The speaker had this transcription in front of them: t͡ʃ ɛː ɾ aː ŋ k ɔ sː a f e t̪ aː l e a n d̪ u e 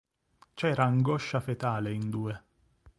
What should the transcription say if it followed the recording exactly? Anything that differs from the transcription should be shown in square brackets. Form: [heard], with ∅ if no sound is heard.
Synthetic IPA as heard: t͡ʃ ɛː ɾ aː ŋ [ɡ] ɔ [ʃː] a f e t̪ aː l e [i] n d̪ [uː] e